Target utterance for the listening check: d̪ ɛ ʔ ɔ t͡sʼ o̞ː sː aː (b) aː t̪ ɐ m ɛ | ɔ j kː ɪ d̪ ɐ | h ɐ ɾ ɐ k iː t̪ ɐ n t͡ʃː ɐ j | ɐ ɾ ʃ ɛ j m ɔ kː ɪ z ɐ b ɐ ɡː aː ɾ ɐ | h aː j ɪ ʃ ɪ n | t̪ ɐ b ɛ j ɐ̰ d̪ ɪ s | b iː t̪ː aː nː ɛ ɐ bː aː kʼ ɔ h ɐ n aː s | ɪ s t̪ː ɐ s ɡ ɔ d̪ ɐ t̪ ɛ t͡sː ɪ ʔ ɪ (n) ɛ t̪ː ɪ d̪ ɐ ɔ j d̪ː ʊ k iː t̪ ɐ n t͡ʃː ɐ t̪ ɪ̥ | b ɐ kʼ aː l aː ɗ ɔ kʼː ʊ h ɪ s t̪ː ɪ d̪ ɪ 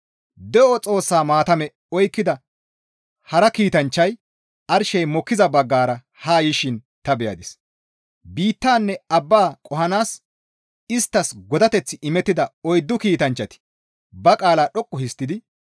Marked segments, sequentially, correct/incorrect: incorrect: m, incorrect: m

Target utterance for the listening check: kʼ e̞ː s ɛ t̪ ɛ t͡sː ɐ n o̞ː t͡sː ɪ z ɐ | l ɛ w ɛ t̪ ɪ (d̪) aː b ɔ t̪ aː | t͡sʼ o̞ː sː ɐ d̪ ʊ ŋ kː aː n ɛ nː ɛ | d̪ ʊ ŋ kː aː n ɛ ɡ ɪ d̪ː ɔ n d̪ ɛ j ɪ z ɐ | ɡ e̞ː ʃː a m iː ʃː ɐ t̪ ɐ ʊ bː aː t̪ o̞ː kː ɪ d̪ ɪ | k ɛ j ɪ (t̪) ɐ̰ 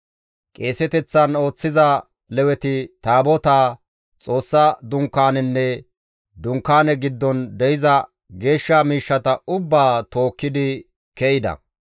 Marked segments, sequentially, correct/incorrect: incorrect: t̪, incorrect: d̪

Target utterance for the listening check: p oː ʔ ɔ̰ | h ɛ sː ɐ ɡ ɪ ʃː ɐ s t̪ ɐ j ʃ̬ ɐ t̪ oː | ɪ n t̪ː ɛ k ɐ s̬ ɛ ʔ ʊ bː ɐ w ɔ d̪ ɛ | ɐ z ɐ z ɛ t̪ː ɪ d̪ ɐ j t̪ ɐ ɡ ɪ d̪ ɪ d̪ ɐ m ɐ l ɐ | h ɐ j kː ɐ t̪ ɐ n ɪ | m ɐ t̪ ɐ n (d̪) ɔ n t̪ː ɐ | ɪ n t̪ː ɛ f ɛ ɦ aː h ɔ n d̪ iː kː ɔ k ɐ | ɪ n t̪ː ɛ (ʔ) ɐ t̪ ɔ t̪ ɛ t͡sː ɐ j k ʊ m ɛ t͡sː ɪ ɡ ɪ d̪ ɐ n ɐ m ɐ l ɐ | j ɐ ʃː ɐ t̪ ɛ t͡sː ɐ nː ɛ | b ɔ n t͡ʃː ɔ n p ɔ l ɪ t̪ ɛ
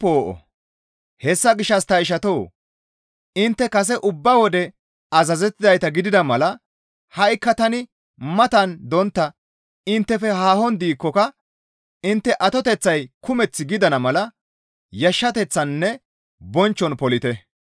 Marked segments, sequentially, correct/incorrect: correct, correct

